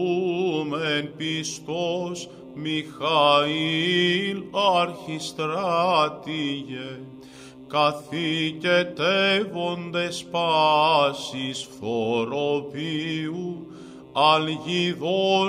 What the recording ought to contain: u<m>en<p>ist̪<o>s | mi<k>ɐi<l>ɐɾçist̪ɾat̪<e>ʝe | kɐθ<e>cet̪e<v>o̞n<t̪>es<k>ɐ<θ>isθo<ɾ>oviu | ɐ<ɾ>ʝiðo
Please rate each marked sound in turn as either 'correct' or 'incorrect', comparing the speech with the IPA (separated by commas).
correct, correct, correct, incorrect, correct, incorrect, incorrect, correct, incorrect, incorrect, incorrect, correct, incorrect